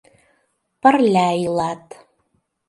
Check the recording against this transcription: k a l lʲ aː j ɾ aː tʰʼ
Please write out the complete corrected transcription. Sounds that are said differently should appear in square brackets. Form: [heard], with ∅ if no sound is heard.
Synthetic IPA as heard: [p] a [r] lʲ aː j [l] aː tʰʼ